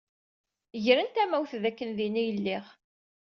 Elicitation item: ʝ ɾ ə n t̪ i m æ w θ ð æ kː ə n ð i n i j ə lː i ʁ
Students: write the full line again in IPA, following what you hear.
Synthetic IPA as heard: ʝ ɾ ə n t̪ æ m æ w θ ð æ kː ə n ð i n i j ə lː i ʁ